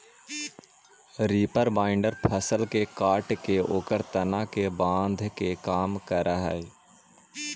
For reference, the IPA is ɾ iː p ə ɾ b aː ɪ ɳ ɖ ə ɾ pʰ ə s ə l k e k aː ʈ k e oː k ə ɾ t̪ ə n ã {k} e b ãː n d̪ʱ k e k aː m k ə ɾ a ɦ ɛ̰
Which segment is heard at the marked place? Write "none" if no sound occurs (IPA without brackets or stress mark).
k